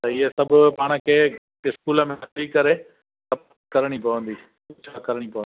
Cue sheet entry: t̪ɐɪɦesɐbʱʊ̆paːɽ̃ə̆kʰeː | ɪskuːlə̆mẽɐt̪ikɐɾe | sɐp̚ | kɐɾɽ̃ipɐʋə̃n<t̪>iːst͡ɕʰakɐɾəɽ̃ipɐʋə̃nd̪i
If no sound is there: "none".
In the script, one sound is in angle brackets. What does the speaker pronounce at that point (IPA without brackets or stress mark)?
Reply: d̪